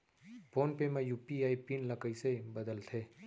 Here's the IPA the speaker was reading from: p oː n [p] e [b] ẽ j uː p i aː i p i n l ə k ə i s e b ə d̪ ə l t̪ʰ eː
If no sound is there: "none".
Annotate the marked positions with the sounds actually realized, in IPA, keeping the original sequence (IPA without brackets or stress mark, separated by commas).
p, m